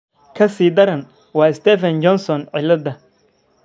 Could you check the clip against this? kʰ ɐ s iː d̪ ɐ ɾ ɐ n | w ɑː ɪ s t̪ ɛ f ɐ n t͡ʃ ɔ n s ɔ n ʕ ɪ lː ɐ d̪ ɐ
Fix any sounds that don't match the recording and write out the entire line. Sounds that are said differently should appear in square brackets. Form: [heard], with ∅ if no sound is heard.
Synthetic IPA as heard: kʰ ɐ s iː d̪ ɐ ɾ ɐ n | w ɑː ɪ s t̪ ɛ f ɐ n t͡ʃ ɔ n s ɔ n ʕ ɪ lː ɐ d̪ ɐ